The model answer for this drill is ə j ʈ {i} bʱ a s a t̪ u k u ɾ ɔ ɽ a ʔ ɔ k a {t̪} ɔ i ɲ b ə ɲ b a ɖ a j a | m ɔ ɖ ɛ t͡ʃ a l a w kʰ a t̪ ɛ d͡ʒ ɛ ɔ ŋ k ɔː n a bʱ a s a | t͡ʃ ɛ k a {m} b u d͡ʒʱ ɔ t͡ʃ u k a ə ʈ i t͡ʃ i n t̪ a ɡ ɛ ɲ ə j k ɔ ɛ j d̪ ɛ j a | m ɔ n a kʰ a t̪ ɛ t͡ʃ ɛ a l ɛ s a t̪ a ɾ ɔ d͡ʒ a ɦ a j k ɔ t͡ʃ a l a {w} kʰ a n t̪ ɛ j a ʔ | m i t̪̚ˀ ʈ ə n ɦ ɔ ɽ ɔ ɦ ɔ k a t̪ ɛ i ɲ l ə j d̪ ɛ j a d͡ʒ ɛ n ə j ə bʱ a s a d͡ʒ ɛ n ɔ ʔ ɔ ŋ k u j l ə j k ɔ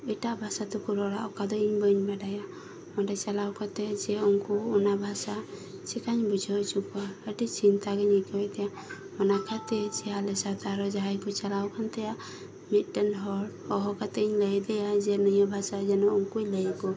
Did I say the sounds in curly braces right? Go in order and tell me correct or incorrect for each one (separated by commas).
incorrect, incorrect, incorrect, correct